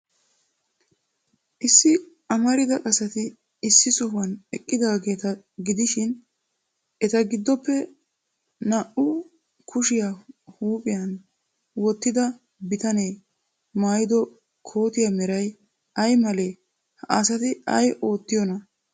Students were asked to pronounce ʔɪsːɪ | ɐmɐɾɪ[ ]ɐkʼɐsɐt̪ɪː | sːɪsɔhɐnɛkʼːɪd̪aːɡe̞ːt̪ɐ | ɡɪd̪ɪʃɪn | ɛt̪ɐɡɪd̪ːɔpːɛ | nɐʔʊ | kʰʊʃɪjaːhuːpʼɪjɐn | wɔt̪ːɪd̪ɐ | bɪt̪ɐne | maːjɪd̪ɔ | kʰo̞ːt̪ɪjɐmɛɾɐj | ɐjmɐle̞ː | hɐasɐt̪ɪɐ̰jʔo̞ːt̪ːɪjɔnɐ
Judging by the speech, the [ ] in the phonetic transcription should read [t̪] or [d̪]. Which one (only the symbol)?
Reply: d̪